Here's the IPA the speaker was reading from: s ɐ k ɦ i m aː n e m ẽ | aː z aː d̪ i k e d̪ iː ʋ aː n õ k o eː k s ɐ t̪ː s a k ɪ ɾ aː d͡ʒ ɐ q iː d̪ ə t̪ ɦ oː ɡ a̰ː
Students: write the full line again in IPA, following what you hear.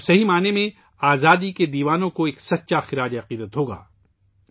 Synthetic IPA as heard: s ɐ ɦ i m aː n e m ẽ | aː z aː d̪ i k e d̪ iː ʋ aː n õ k o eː k s ɐ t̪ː ʃ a x ɪ ɾ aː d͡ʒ ɐ q iː d̪ ə t̪ ɦ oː ɡ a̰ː